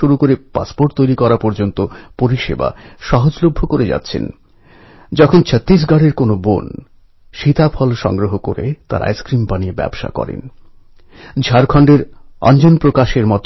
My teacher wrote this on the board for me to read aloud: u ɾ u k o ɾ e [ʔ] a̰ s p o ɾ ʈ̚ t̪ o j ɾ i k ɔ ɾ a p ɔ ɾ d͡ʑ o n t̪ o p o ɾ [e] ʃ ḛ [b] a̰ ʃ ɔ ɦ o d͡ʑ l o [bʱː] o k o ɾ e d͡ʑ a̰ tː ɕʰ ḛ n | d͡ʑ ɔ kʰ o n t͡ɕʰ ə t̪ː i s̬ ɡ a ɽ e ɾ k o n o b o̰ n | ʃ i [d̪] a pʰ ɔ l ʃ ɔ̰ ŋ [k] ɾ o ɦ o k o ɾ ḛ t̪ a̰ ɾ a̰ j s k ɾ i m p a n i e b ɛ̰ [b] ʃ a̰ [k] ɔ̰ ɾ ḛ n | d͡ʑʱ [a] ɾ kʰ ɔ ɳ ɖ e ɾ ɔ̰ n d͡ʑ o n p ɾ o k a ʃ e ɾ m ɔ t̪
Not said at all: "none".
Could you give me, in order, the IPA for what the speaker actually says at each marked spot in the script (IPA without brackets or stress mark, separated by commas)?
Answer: p, i, b, bʱː, t̪, ɡ, b, k, a